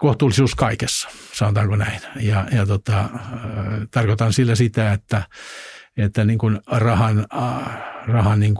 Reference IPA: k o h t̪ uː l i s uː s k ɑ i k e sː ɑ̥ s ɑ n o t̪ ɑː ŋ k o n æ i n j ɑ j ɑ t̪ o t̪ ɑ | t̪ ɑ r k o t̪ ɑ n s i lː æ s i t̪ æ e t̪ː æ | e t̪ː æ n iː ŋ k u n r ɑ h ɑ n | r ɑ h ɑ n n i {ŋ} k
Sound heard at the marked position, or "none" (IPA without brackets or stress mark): ŋ